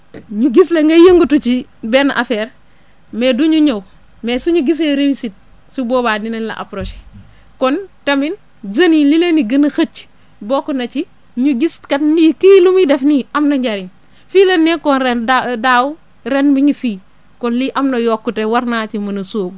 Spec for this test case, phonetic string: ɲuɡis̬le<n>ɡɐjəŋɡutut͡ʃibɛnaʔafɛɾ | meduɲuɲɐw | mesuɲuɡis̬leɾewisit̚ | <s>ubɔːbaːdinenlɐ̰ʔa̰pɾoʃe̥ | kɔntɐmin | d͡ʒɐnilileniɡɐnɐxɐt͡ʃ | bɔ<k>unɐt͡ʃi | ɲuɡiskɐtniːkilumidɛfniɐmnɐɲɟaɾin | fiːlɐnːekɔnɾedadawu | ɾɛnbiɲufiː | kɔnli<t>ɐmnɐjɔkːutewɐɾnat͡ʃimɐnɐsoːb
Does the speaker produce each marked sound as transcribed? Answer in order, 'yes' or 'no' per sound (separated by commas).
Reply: no, yes, yes, no